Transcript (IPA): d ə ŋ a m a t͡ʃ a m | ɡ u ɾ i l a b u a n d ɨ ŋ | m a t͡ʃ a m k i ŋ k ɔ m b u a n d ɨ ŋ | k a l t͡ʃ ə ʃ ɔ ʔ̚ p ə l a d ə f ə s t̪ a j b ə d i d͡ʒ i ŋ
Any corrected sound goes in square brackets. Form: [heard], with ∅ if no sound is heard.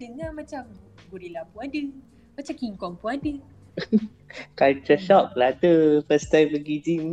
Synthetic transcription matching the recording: d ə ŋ a m a t͡ʃ a m | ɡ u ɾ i l a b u a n d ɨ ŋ | m a t͡ʃ a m k i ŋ k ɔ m [p] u a n d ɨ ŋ | k a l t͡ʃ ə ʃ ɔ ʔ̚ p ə l a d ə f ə s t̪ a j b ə [ɡ] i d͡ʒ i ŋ